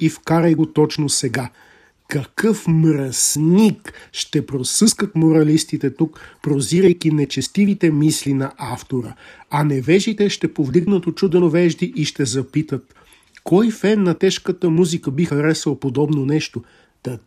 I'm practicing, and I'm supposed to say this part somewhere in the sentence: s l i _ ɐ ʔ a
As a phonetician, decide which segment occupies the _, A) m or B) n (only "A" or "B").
B